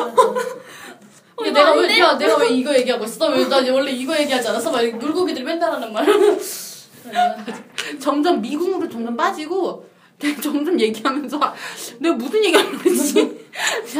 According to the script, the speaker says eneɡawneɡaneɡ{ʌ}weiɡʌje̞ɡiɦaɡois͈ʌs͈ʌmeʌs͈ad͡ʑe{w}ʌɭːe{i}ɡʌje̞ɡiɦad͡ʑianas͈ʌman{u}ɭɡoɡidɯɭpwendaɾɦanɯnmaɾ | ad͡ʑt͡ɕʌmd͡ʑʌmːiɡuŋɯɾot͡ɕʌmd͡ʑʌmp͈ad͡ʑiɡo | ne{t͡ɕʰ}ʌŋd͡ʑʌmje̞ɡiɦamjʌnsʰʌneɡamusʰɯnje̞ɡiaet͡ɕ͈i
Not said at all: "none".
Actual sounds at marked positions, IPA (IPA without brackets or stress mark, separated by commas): a, w, i, u, t͡ɕ